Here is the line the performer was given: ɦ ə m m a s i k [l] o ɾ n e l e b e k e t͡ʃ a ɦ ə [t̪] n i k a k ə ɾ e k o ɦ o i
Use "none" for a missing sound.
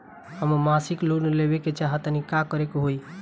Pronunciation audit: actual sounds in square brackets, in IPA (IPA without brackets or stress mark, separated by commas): l, t̪